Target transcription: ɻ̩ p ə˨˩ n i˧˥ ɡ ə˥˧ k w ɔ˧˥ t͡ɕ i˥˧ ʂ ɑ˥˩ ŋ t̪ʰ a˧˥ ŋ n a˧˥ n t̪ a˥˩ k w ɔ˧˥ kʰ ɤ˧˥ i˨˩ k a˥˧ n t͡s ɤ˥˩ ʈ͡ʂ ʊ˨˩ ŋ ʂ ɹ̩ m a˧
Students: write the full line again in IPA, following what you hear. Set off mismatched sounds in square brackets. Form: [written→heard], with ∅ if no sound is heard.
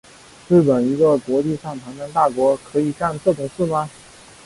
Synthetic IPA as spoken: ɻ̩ p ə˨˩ n i˧˥ ɡ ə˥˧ k w ɔ˧˥ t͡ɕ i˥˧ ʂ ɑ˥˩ ŋ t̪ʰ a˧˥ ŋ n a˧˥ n t̪ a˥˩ k w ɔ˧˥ kʰ ɤ˧˥ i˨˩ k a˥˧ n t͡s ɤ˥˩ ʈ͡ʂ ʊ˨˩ ŋ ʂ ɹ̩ m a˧